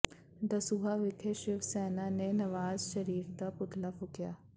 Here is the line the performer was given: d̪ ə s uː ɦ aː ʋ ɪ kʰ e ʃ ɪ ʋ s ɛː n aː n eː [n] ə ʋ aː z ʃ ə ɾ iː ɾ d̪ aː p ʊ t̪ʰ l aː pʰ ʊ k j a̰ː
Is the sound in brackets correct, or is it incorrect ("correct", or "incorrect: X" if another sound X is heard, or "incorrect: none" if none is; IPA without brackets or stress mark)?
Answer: correct